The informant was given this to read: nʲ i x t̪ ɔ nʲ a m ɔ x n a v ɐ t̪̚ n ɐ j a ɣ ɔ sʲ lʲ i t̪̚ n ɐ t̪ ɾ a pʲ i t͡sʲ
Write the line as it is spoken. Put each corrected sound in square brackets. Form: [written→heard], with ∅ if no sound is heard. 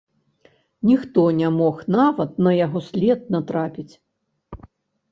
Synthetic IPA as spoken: nʲ i x t̪ ɔ nʲ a m ɔ x n a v ɐ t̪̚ n ɐ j a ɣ ɔ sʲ lʲ [i→ɛ] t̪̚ n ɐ t̪ ɾ a pʲ i t͡sʲ

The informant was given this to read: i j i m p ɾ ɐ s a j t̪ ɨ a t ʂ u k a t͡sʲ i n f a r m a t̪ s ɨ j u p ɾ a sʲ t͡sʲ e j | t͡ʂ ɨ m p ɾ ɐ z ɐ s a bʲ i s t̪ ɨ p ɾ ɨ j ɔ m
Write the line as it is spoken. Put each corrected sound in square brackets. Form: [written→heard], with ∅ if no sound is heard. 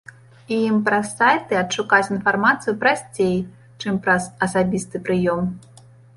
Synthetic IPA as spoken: i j i m p ɾ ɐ s a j t̪ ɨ [a→ɐ] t ʂ u k a t͡sʲ i n f a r m a t̪ s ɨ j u p ɾ a sʲ t͡sʲ e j | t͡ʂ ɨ m p ɾ ɐ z ɐ s a bʲ i s t̪ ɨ p ɾ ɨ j ɔ m

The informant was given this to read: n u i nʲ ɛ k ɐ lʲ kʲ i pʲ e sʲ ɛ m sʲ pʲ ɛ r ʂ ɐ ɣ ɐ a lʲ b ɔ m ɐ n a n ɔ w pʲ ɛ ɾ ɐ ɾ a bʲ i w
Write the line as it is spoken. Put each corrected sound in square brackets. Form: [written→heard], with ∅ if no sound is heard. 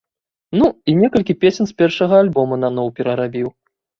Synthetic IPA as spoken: n u i nʲ ɛ k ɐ lʲ kʲ i pʲ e sʲ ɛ [m→n] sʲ pʲ ɛ r ʂ ɐ ɣ ɐ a lʲ b ɔ m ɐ n a n ɔ w pʲ ɛ ɾ ɐ ɾ a bʲ i w

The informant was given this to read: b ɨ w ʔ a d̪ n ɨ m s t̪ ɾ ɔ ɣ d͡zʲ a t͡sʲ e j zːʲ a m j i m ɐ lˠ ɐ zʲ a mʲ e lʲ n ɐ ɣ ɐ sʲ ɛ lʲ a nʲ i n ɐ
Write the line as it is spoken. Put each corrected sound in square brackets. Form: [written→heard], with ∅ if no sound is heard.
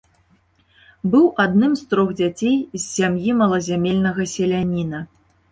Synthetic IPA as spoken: b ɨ w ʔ a d̪ n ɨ m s t̪ ɾ ɔ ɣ d͡zʲ a t͡sʲ e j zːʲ a m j i m ɐ lˠ ɐ zʲ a mʲ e lʲ n ɐ ɣ ɐ sʲ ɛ lʲ a nʲ i n ɐ

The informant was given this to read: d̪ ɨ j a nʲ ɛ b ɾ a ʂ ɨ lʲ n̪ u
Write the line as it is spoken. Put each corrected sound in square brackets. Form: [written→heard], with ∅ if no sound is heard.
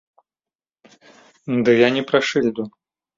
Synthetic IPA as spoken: d̪ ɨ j a nʲ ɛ [b→p] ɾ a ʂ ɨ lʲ [n̪→d̪] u

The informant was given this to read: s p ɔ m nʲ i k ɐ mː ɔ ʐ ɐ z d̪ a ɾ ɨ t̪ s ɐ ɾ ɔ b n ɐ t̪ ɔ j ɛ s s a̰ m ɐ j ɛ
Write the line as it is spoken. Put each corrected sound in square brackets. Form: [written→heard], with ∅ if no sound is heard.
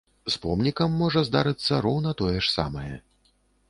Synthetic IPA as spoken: s p ɔ m nʲ i k ɐ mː ɔ ʐ ɐ z d̪ a ɾ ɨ t̪ [s→sː] ɐ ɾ ɔ [b→w] n ɐ t̪ ɔ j ɛ [s→ʂ] s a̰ m ɐ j ɛ

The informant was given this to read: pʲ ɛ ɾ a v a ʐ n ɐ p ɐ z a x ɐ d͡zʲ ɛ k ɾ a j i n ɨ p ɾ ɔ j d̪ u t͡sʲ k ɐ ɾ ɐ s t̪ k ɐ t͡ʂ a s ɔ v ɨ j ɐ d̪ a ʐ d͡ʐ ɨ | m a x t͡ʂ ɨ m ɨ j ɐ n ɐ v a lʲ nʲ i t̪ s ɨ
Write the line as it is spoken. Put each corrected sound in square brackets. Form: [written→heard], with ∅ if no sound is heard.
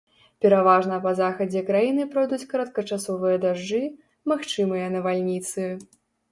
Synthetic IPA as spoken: pʲ ɛ ɾ a v a ʐ n ɐ p ɐ z a x ɐ d͡zʲ ɛ k ɾ a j i n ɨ p ɾ ɔ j d̪ u t͡sʲ k ɐ ɾ ɐ [s→∅] t̪ k ɐ t͡ʂ a s ɔ v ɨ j ɐ d̪ a ʐ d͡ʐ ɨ | m a x t͡ʂ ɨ m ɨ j ɐ n ɐ v a lʲ nʲ i t̪ s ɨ

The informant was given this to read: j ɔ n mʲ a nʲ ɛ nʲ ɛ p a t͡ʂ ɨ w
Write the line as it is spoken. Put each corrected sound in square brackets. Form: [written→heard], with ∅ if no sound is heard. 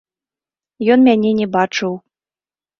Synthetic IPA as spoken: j ɔ n mʲ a nʲ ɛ nʲ ɛ [p→b] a t͡ʂ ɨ w

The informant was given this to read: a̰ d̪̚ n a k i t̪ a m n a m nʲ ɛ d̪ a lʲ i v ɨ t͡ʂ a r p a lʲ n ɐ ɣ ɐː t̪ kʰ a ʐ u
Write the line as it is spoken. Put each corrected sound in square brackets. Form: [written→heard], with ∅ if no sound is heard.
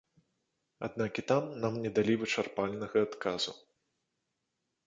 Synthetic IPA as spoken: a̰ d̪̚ n a k i t̪ a m n a m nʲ ɛ d̪ a lʲ i v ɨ t͡ʂ a r p a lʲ n ɐ ɣ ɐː t̪ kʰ a [ʐ→z] u

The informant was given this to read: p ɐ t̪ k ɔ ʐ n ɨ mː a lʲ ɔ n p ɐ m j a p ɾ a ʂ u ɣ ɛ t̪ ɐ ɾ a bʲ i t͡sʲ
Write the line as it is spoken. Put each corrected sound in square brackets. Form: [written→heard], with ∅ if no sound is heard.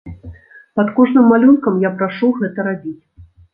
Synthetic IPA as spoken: p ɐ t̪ k ɔ ʐ n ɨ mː a lʲ [ɔ→u] n [p→k] ɐ m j a p ɾ a ʂ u ɣ ɛ t̪ ɐ ɾ a bʲ i t͡sʲ

